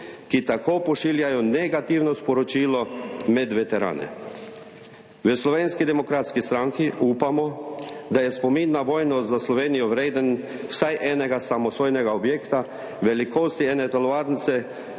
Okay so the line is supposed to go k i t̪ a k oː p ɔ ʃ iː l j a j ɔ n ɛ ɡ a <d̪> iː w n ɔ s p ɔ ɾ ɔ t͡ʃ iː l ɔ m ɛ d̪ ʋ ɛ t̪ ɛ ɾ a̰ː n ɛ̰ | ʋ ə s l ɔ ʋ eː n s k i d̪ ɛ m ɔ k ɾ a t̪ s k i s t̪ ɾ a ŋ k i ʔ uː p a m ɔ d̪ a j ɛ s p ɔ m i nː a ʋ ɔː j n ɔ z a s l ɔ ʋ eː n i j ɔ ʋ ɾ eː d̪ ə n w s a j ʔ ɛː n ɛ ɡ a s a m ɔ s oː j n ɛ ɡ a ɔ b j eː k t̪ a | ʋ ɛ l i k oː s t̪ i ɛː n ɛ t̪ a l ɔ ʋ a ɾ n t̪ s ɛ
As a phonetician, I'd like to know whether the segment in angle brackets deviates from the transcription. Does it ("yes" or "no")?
yes